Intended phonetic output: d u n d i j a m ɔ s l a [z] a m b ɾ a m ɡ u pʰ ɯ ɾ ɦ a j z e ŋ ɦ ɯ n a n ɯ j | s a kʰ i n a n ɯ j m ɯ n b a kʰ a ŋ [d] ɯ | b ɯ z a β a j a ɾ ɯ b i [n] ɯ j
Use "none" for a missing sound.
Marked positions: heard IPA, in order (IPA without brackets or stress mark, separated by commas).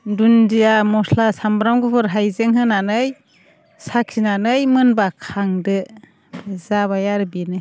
s, d, n